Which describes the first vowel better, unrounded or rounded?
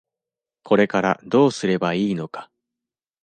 rounded